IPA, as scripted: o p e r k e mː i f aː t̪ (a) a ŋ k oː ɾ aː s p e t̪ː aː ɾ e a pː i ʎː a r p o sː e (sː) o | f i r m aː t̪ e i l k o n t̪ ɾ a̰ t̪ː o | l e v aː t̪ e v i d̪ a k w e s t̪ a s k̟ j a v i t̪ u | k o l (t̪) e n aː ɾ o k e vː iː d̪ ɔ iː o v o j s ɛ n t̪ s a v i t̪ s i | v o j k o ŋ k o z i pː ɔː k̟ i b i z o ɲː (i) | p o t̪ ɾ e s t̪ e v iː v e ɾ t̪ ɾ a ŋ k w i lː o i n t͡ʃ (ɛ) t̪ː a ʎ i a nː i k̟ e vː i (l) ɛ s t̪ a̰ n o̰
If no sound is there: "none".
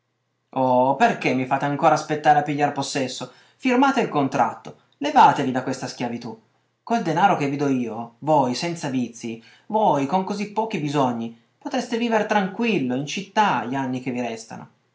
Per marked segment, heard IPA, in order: e, sː, d̪, i, i, ɾ

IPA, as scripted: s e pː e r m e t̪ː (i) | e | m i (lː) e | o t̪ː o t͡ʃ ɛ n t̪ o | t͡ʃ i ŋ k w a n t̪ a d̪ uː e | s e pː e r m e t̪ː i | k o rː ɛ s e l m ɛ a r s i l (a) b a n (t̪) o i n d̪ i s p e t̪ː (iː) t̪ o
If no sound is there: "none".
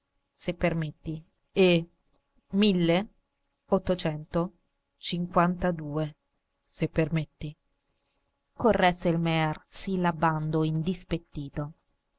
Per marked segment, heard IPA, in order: i, lː, a, d̪, iː

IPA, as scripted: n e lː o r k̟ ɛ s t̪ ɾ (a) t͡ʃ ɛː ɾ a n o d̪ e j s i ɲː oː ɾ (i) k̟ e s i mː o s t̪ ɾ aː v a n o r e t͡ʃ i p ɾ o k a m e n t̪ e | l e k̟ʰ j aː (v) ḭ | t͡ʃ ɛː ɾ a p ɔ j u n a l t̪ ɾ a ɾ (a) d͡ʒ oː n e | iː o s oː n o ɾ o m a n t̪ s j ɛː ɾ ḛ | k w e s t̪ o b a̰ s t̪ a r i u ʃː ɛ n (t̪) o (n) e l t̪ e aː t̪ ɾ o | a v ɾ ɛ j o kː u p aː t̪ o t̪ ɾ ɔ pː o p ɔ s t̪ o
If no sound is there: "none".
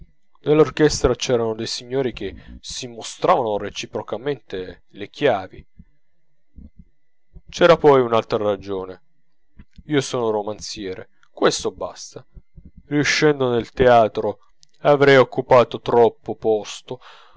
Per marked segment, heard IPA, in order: a, i, v, a, d̪, n

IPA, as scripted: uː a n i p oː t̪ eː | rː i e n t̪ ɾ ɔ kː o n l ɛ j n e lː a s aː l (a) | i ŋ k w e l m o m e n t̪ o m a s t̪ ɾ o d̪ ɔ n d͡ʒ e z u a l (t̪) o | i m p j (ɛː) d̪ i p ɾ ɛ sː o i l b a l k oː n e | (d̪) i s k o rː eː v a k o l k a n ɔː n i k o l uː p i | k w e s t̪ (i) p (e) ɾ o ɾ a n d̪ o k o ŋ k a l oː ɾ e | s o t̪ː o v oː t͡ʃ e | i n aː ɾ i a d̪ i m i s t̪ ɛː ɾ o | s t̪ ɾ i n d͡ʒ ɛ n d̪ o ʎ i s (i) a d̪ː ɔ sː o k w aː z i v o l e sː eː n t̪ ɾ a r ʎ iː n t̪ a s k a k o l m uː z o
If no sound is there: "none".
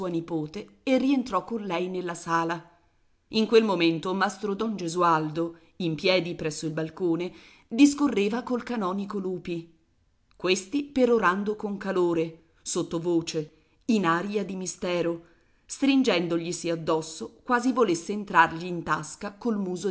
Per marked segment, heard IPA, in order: a, d̪, ɛː, d̪, i, e, i

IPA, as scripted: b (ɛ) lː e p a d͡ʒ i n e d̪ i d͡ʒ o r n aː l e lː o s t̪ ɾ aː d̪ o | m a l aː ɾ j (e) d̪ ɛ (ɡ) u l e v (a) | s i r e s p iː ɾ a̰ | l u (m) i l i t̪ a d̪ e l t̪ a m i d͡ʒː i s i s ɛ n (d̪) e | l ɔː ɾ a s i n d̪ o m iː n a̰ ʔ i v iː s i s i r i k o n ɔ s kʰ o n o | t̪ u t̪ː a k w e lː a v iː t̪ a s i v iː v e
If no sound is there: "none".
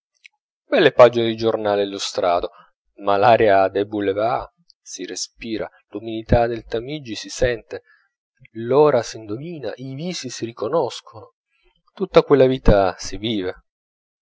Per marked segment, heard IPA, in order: ɛ, a, b, a, m, t̪

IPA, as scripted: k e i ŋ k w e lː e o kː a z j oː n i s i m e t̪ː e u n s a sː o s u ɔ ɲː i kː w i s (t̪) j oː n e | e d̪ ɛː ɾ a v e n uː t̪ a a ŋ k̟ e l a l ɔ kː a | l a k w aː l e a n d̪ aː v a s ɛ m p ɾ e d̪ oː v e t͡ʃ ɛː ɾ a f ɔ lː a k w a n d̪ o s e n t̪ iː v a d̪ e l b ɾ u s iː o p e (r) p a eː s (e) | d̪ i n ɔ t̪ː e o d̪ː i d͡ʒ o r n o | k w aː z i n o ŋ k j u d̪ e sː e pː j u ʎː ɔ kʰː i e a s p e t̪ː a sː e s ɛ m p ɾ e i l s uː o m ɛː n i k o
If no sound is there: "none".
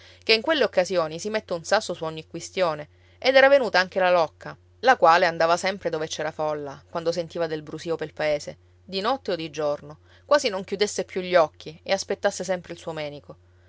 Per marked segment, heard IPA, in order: t̪, l, e

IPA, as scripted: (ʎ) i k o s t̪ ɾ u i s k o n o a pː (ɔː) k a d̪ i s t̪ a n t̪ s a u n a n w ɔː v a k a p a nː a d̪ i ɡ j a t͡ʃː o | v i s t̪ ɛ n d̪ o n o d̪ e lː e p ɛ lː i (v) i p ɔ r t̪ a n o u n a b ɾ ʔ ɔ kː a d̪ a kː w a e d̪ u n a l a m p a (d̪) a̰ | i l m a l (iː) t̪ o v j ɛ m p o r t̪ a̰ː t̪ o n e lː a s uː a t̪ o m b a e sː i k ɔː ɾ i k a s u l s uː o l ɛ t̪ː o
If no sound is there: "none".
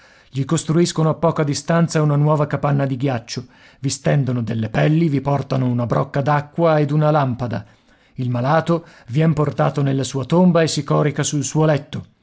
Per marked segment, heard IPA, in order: ʎ, ɔː, v, d̪, aː

